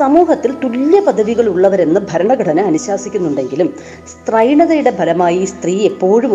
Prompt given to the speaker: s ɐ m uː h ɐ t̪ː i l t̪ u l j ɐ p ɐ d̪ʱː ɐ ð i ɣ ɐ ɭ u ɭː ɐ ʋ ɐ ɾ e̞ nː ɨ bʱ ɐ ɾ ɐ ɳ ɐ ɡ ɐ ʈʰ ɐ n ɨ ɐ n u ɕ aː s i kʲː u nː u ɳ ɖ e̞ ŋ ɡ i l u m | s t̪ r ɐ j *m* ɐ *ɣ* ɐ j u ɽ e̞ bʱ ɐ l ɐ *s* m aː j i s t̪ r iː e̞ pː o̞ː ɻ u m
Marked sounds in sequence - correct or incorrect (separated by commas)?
incorrect, incorrect, incorrect